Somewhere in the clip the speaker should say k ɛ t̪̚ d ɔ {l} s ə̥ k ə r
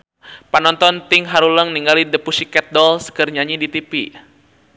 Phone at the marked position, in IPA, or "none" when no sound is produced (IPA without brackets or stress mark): l